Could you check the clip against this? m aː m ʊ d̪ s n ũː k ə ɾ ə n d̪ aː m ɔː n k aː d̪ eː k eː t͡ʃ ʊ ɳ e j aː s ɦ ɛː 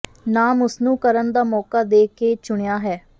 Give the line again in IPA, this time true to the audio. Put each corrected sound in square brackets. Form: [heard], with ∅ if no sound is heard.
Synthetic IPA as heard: [n] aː m ʊ [∅] s n ũː k ə ɾ ə n d̪ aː m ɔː [∅] k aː d̪ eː k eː t͡ʃ ʊ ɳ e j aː [∅] ɦ ɛː

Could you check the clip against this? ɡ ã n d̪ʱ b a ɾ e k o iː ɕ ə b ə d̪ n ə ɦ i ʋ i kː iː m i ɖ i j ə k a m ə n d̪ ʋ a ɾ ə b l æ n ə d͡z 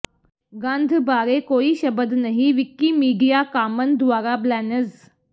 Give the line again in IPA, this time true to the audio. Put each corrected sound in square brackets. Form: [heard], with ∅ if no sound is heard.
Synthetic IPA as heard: ɡ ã n d̪ʱ b a ɾ e k o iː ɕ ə b ə d̪ n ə ɦ i ʋ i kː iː m i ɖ i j [a] k a m ə n d̪ ʋ a ɾ [a] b l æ n ə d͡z

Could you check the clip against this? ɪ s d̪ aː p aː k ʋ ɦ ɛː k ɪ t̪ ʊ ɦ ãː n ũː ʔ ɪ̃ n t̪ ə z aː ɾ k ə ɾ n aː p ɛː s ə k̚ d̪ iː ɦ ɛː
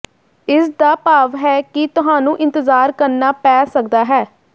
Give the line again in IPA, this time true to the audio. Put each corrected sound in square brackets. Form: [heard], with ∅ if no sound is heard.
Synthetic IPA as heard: ɪ s d̪ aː p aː [∅] ʋ ɦ ɛː k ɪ t̪ ʊ ɦ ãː n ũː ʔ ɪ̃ n t̪ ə z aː ɾ k ə ɾ n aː p ɛː s ə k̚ d̪ [aː] ɦ ɛː

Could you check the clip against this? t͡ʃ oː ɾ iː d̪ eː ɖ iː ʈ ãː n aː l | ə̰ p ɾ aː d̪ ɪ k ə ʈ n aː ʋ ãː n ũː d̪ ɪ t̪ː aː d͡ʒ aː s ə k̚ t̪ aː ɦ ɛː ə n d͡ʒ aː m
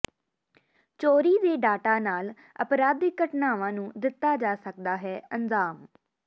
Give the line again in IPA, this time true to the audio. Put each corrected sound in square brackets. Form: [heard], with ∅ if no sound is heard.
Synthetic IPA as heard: t͡ʃ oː ɾ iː d̪ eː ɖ [aː] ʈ [aː] n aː l | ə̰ p ɾ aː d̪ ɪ k ə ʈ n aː ʋ ãː n ũː d̪ ɪ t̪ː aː d͡ʒ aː s ə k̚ [d̪] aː ɦ ɛː ə n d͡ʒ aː m

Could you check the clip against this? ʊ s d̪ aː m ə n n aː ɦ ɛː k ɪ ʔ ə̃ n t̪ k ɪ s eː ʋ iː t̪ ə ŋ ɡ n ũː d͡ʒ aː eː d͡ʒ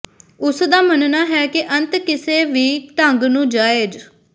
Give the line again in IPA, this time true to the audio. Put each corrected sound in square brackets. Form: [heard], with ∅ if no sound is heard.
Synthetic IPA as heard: ʊ s d̪ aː m ə n n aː ɦ ɛː k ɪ ʔ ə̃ n t̪ k ɪ s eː ʋ iː t̪ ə ŋ ɡ n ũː d͡ʒ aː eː d͡ʒ

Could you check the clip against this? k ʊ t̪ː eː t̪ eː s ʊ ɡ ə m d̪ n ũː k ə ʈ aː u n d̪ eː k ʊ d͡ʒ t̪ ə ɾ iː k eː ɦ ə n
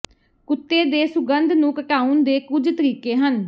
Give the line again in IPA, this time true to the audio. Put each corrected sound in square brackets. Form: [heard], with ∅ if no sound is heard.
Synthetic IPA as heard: k ʊ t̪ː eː [d̪] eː s ʊ ɡ ə [n] d̪ n ũː k ə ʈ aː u n d̪ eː k ʊ d͡ʒ t̪ ə ɾ iː k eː ɦ ə n

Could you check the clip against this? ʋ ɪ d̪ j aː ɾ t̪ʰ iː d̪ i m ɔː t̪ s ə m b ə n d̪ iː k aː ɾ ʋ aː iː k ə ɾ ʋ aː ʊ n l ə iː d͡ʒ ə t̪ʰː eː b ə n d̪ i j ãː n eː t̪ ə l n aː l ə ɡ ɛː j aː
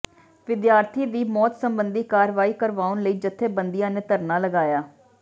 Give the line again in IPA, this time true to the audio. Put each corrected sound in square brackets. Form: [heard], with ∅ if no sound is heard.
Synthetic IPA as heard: ʋ ɪ d̪ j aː ɾ t̪ʰ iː d̪ [iː] m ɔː t̪ s ə m b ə n d̪ iː k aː ɾ ʋ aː iː k ə ɾ ʋ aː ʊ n l ə iː d͡ʒ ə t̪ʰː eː b ə n d̪ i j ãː n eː t̪ ə [ɾ] n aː l ə ɡ [aː] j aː

